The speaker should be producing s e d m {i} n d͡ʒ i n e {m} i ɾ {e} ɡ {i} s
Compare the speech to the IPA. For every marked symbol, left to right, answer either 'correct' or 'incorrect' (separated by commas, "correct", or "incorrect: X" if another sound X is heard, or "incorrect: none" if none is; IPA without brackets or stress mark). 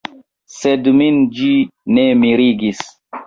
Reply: correct, correct, incorrect: i, correct